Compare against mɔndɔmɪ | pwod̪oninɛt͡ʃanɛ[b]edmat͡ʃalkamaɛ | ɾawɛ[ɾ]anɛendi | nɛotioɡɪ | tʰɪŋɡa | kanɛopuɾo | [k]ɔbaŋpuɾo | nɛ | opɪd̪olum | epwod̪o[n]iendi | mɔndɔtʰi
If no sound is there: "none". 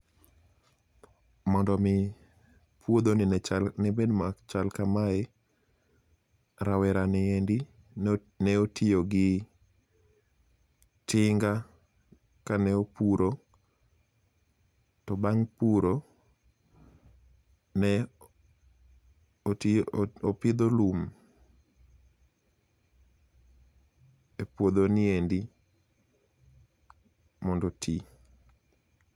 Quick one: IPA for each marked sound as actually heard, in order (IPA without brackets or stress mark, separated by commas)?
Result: b, ɾ, t, n